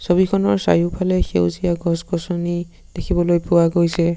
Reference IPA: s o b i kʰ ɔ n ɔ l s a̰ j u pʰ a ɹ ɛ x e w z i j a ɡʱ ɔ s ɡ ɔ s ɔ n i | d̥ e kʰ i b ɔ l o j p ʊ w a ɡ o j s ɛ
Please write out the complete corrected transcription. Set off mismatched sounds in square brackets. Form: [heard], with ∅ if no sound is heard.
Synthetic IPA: s o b i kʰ ɔ n ɔ [ɹ] s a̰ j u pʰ a [l] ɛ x e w z i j a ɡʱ ɔ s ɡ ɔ s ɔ n i | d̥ e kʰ i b ɔ l o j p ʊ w a ɡ o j s ɛ